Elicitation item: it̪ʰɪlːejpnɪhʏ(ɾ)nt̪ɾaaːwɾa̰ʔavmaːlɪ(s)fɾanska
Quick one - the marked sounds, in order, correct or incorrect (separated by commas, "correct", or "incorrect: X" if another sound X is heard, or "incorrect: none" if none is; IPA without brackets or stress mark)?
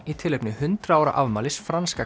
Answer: incorrect: none, correct